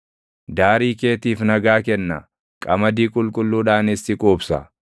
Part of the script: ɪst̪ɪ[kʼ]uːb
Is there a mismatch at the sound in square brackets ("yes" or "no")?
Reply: no